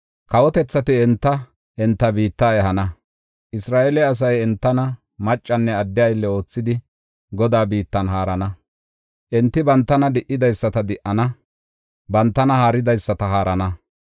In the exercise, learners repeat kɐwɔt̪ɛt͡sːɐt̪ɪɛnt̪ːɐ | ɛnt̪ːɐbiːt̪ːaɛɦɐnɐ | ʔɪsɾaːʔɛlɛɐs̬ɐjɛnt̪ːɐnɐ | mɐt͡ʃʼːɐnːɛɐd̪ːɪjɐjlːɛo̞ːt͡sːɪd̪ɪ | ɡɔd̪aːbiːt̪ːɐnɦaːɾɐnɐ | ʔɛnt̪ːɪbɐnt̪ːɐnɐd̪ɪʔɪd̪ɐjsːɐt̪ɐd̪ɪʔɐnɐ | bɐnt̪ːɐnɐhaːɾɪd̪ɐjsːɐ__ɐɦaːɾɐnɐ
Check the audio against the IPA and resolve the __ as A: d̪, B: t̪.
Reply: B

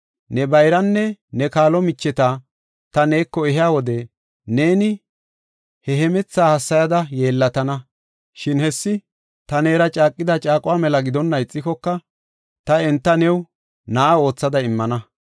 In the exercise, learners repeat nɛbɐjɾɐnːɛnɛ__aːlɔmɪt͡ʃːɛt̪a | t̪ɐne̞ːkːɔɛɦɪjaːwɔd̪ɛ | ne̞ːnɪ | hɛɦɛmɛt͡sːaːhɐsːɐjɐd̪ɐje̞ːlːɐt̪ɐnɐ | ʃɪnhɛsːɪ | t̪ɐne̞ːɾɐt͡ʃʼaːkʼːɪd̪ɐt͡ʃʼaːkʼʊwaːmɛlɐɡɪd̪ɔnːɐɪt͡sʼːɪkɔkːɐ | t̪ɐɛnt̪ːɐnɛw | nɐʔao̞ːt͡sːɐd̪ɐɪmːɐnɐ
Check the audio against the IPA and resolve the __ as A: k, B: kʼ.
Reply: A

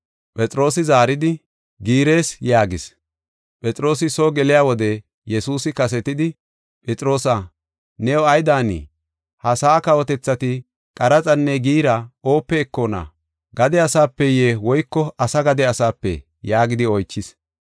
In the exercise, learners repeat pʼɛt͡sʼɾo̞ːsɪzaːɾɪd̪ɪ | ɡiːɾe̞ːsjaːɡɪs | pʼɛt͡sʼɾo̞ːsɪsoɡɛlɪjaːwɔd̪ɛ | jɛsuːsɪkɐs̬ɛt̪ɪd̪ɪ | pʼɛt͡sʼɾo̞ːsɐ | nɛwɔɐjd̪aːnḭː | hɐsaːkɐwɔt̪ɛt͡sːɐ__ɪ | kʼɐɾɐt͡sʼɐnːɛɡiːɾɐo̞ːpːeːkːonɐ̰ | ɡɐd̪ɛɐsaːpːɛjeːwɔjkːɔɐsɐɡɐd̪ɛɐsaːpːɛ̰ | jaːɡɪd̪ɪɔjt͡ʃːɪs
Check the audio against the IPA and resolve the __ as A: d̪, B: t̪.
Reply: B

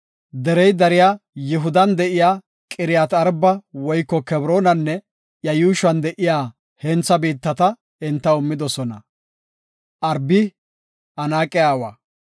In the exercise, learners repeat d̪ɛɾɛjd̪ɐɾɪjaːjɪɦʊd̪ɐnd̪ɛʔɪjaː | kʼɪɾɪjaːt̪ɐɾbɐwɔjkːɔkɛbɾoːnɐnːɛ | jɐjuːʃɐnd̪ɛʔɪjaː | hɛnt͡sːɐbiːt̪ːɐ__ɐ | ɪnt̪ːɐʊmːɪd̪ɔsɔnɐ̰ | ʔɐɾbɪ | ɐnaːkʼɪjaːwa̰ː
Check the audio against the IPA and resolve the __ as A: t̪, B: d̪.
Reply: A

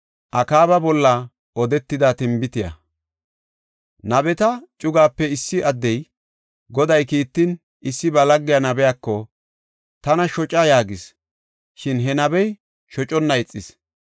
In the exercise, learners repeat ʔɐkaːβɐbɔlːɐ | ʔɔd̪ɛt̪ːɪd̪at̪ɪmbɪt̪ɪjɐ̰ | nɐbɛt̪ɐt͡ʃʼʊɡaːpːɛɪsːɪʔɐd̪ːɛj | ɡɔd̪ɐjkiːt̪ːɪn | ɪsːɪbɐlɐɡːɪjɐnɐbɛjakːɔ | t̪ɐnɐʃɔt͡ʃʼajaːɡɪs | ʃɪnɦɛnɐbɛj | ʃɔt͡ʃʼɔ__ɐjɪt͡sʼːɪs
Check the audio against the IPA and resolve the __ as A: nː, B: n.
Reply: A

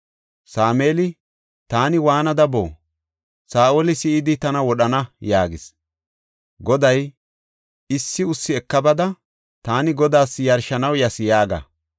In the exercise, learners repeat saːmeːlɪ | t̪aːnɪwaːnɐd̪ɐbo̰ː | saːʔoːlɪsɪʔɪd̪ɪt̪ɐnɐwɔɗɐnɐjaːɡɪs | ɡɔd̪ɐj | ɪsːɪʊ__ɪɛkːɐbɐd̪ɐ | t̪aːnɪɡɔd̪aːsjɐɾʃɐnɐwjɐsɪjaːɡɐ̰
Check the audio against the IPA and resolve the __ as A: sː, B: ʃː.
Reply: A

